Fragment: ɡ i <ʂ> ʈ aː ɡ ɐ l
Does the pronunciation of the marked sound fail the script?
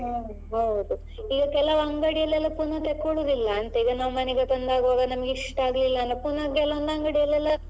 no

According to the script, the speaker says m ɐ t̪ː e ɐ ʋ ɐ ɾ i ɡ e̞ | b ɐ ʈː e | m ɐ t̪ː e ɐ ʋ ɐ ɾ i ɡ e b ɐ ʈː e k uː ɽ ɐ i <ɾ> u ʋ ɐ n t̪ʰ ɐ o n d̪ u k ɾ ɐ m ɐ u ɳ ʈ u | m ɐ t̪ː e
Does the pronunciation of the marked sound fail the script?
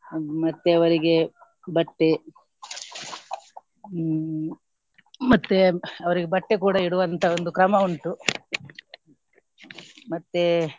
yes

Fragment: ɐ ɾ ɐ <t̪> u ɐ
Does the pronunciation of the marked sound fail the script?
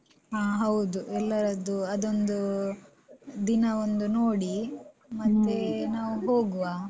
yes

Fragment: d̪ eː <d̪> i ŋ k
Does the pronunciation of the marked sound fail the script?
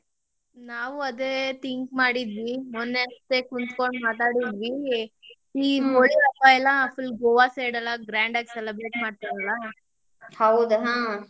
yes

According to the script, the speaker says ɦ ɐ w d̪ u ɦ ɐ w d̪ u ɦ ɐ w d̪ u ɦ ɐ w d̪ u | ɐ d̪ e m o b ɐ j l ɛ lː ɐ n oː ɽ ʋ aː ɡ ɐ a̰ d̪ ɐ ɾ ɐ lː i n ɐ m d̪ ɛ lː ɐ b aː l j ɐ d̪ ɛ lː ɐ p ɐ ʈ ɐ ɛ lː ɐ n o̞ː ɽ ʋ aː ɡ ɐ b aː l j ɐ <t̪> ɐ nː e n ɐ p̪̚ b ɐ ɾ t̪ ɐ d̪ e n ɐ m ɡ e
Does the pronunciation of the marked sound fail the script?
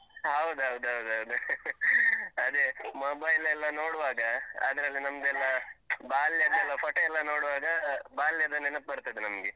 yes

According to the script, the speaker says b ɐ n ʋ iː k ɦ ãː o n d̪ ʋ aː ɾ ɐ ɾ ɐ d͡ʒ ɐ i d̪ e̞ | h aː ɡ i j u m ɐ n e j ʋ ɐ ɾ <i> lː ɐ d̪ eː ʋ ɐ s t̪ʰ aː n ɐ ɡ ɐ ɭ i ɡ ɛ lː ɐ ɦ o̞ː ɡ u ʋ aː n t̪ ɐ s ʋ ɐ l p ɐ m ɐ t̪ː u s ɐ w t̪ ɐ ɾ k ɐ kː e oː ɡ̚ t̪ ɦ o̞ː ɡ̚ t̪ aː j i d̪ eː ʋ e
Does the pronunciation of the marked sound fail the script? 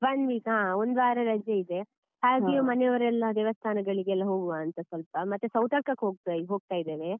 yes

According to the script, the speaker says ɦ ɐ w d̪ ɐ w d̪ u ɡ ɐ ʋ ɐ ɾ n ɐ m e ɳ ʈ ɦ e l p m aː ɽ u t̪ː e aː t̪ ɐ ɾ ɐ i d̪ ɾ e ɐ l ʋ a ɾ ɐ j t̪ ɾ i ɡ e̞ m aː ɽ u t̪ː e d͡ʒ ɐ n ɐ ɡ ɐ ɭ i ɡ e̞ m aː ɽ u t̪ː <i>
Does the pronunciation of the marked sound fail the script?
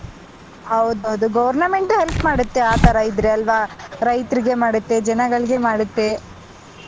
yes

